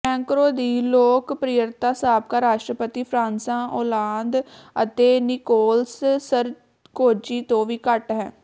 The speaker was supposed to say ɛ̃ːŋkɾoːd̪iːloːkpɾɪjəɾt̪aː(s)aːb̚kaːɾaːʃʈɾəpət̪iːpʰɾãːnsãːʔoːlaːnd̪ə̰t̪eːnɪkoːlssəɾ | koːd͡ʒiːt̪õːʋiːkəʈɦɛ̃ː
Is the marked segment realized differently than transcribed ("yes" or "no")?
no